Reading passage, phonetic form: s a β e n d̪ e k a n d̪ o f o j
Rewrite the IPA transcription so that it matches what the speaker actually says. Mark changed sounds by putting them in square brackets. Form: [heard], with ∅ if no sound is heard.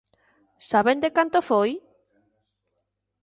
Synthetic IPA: s a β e n d̪ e k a n [t̪] o f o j